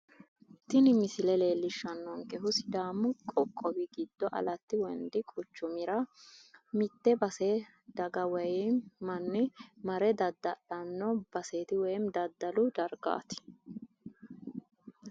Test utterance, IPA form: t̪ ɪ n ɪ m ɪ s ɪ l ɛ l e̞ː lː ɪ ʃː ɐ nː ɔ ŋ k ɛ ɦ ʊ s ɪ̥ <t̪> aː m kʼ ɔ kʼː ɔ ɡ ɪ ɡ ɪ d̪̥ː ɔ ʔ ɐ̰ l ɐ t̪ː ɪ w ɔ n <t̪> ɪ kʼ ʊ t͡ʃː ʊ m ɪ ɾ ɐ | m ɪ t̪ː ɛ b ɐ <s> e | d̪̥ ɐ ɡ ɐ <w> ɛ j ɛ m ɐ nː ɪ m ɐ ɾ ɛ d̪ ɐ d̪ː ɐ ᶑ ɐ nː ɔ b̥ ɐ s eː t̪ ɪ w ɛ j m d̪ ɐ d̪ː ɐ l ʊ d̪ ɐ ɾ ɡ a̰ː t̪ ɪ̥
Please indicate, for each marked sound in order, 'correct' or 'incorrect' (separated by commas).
incorrect, incorrect, correct, correct